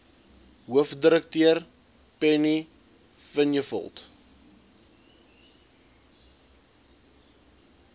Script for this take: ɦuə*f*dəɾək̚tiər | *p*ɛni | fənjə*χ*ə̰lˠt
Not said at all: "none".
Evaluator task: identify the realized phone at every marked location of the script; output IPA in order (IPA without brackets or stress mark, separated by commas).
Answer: f, p, f